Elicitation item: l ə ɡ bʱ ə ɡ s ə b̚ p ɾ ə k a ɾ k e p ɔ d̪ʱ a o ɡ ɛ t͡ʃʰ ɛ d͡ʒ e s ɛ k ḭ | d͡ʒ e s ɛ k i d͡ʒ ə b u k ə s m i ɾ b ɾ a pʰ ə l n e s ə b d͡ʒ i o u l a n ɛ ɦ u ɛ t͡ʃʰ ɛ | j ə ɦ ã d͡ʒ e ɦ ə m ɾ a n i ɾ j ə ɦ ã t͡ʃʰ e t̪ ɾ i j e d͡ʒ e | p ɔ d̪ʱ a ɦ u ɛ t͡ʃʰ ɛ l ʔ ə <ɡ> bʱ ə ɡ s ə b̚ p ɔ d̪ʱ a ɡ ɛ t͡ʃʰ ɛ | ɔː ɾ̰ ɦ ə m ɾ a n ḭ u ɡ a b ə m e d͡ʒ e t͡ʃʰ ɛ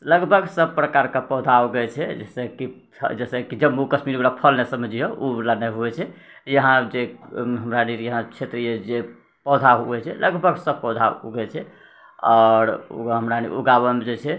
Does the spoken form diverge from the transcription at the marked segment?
no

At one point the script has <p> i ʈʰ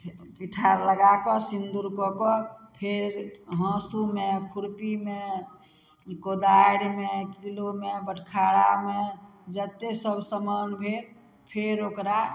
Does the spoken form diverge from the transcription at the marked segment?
no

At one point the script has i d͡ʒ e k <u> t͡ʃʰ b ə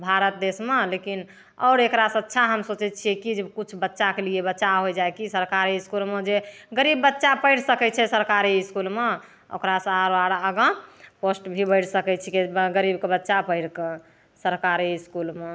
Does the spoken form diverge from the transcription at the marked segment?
no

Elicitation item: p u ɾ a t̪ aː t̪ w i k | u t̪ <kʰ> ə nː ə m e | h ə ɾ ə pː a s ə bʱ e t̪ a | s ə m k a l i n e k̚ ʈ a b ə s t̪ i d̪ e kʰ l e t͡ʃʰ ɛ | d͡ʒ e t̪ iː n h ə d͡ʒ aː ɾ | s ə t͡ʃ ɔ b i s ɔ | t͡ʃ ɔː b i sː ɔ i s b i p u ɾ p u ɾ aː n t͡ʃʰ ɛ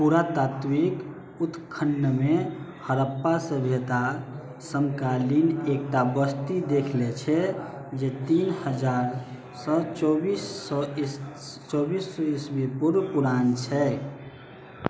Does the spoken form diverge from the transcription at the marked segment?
no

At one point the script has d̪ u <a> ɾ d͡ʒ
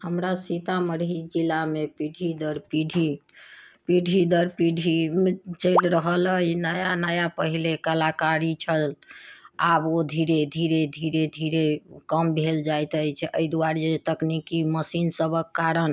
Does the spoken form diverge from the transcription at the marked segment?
no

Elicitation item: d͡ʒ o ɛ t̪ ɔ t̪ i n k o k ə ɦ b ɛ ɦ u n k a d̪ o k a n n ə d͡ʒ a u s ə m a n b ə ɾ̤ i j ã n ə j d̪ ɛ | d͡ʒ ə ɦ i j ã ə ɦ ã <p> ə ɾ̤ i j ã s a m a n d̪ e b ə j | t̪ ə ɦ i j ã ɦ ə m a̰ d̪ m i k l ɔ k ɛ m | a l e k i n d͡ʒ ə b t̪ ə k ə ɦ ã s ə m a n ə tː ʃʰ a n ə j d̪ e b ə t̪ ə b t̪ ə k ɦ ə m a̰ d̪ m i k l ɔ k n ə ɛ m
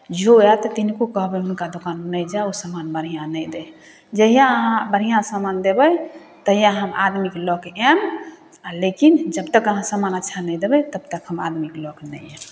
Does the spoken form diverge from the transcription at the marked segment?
yes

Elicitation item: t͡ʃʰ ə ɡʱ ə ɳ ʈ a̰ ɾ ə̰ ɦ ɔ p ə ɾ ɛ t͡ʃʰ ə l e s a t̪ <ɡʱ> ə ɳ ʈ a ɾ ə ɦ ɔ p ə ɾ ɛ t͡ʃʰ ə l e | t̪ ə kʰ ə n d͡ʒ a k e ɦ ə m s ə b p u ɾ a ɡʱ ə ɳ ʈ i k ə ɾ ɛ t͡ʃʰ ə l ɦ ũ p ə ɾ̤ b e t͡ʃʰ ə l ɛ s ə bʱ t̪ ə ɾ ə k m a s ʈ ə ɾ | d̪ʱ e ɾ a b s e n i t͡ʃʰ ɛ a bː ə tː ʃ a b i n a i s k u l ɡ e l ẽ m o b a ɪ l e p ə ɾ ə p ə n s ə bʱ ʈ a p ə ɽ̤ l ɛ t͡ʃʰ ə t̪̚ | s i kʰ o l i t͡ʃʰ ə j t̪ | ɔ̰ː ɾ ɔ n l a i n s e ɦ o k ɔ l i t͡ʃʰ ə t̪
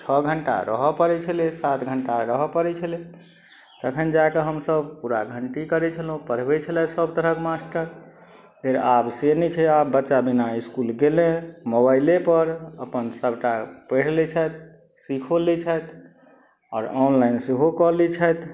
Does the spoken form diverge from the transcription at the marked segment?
no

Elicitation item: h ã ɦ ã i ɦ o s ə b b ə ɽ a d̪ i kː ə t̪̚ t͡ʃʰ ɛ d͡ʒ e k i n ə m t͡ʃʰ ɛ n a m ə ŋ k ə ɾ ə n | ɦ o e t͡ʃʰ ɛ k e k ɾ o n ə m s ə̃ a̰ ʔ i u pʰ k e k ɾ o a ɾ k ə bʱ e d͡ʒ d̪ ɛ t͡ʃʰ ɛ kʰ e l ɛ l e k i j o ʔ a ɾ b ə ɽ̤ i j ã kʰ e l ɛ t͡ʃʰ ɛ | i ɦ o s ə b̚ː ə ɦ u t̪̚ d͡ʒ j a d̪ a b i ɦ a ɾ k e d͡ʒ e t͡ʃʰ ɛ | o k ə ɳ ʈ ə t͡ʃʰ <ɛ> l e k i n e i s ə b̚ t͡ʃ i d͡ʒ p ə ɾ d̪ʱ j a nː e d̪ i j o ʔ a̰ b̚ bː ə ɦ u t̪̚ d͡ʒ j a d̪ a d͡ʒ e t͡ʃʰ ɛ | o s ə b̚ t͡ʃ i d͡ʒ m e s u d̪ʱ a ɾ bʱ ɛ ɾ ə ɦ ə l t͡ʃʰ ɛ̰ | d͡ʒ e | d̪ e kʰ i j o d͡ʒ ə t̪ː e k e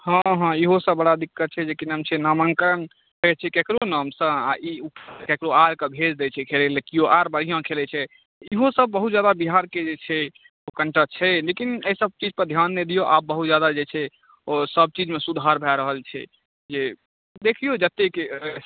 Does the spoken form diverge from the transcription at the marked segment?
no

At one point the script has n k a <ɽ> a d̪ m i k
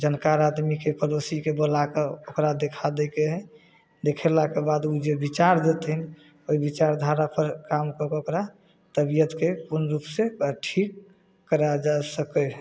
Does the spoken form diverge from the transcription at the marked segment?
yes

